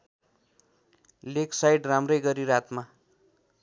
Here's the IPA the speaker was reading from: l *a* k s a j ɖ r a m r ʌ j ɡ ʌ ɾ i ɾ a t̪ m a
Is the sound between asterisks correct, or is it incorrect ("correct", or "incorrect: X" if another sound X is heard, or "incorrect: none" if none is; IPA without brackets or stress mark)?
incorrect: e